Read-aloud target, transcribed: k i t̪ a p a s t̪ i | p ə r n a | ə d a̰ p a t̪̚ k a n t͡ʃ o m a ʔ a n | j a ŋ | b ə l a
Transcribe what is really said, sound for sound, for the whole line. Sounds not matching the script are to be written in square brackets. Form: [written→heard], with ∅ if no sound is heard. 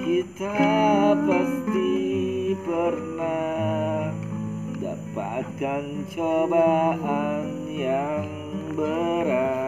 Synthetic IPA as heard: k i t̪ a p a s t̪ i | p ə r n a | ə d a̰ p a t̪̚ k a n t͡ʃ o [m→b] a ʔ a n | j a ŋ | b ə [l→ɾ] a

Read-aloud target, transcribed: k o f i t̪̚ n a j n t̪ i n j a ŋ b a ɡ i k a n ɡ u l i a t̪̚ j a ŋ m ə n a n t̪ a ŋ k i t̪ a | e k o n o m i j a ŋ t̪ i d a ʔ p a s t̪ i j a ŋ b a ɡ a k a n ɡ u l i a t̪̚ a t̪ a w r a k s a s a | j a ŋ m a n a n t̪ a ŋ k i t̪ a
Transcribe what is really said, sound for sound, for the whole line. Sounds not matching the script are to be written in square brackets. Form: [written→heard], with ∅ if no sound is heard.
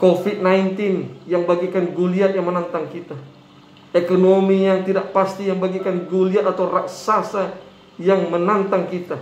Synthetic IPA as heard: k o f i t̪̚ n a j n t̪ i n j a ŋ b a ɡ i k a n ɡ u l i a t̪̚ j a ŋ m ə n a n t̪ a ŋ k i t̪ a | e k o n o m i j a ŋ t̪ i d a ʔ p a s t̪ i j a ŋ b a ɡ [a→i] k a n ɡ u l i a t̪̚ a t̪ a w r a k s a s a | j a ŋ m [a→ə] n a n t̪ a ŋ k i t̪ a

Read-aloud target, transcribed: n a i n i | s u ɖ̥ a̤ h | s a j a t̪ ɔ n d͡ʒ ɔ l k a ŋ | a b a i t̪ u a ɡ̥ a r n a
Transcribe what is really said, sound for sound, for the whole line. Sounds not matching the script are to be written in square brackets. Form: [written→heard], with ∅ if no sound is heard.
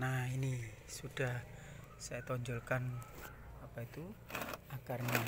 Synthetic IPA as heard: n a i n i | s u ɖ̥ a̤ h | s a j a t̪ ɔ [n→ɲ] d͡ʒ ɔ l k a [ŋ→n] | a [b→p] a i t̪ u a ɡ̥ a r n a

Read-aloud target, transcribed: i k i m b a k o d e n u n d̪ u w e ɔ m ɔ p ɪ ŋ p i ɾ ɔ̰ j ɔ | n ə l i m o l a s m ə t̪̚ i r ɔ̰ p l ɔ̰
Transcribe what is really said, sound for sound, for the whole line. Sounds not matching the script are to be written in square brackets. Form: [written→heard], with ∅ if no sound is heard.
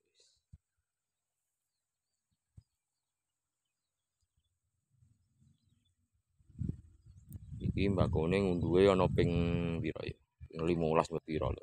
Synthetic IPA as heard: i k i m b a k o [d→n] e [n→ŋ] u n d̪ u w e ɔ [m→n] ɔ p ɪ ŋ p i ɾ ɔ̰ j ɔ | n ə l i m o l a s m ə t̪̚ i [r→ɾ] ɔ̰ [p→∅] l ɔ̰

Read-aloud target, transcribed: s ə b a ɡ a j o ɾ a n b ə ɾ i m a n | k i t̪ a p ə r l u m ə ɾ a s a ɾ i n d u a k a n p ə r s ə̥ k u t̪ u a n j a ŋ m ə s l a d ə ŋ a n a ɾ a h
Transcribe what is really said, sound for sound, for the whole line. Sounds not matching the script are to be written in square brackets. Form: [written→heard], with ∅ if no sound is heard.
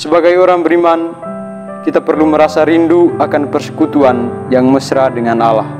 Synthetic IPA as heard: s ə b a ɡ a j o ɾ a [n→ŋ] b ə ɾ i m a n | k i t̪ a p ə r l u m ə ɾ a s a ɾ i n d u a k a n p ə r s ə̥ k u t̪ u a n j a ŋ m ə s [l→ɾ] a d ə ŋ a n a [ɾ→l] a h

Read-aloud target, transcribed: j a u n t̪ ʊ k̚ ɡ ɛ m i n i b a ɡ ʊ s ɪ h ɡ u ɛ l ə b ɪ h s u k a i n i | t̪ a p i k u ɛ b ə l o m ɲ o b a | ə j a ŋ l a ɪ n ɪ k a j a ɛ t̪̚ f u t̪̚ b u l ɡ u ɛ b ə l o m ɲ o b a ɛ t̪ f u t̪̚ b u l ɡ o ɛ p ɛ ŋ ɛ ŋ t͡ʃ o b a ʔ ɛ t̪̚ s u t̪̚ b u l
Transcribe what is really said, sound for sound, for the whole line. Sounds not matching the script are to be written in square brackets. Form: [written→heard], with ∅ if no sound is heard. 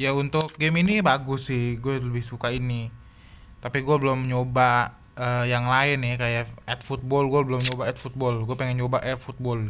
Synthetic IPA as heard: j a u n t̪ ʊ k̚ ɡ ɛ m i n i b a ɡ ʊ s ɪ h ɡ u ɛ l ə b ɪ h s u k a i n i | t̪ a p i [k→ɡ] u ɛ b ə l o m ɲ o b a | ə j a ŋ l a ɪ n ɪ k a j a ɛ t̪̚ f u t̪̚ b [u→ɔ] l ɡ u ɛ b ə l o m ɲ o b a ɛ t̪ f u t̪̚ b [u→ɔ] l ɡ [o→u] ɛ p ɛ ŋ ɛ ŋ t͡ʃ o b a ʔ ɛ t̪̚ [s→f] u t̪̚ b [u→ɔ] l

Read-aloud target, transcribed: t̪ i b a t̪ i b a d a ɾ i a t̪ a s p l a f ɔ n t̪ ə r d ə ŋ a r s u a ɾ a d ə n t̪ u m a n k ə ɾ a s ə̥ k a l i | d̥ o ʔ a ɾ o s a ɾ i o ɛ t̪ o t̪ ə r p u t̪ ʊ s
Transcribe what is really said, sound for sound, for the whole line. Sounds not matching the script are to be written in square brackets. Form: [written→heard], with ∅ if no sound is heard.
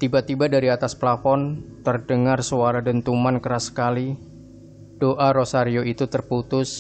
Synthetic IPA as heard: t̪ i b a t̪ i b a d a ɾ i a t̪ a s p l a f ɔ n t̪ ə r d ə ŋ a r s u a ɾ a d ə n t̪ u m a n k ə ɾ a s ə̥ k a l i | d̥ o ʔ a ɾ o s a ɾ i o [ɛ→i] t̪ [o→u] t̪ ə r p u t̪ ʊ s

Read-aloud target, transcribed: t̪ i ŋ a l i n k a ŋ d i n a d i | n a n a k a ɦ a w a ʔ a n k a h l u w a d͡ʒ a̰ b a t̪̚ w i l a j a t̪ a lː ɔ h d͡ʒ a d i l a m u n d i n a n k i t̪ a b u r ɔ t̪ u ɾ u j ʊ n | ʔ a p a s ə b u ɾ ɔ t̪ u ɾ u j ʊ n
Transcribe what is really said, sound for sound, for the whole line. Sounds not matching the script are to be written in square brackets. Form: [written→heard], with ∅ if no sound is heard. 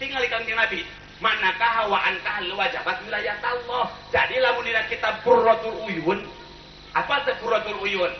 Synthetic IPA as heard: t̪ i ŋ a l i [n→∅] k a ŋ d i n a [d→b] i | [n→m] a n a k a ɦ a w a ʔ a n k a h l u w a d͡ʒ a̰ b a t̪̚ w i l a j a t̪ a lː ɔ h d͡ʒ a d i l a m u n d i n a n k i t̪ a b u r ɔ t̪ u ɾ u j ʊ n | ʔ a p a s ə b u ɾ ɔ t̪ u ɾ u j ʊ n

